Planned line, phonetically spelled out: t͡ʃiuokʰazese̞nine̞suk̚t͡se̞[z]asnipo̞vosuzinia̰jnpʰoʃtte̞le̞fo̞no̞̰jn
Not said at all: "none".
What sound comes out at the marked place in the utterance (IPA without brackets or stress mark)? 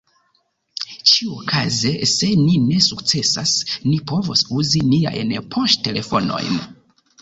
s